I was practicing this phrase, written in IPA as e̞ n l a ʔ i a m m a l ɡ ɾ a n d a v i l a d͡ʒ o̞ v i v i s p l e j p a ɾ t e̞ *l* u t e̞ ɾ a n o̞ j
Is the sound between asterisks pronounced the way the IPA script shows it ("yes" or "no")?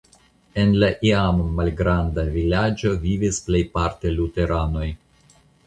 yes